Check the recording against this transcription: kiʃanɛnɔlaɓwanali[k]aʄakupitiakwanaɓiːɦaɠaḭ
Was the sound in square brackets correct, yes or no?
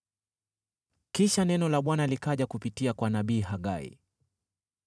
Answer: yes